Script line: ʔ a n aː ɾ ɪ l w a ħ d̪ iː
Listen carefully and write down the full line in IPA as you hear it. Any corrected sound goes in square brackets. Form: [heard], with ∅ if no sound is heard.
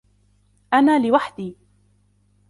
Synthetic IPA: ʔ a n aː [l] ɪ [∅] w a ħ d̪ iː